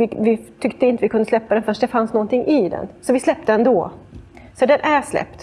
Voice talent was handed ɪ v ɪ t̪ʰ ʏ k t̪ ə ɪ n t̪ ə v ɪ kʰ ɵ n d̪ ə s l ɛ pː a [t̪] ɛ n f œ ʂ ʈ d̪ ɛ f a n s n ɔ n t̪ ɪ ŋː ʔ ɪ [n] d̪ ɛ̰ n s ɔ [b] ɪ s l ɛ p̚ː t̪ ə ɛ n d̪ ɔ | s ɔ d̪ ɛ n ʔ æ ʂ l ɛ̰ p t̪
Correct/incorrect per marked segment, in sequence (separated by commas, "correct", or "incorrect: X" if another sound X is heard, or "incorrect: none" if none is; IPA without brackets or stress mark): incorrect: d̪, incorrect: none, incorrect: v